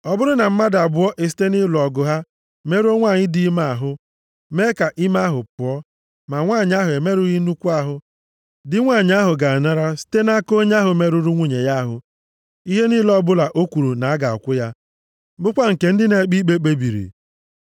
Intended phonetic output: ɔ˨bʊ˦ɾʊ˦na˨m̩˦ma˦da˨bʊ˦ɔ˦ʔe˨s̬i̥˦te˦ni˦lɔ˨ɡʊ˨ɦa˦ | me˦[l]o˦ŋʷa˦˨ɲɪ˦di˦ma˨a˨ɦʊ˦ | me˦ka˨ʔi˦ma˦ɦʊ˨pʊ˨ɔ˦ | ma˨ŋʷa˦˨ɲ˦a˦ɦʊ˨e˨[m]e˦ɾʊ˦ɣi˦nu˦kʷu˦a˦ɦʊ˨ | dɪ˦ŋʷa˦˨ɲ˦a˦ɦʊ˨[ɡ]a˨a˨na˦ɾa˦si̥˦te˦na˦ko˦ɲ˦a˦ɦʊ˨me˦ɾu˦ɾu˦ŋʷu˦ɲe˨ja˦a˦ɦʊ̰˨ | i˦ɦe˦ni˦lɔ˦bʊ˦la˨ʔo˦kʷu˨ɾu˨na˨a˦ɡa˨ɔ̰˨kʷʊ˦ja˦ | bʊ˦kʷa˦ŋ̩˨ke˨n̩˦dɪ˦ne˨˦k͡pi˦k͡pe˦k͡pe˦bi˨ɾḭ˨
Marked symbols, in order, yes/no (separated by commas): no, yes, yes